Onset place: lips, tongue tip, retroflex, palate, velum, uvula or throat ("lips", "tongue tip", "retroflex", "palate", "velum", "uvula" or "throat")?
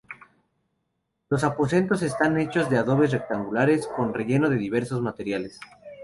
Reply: tongue tip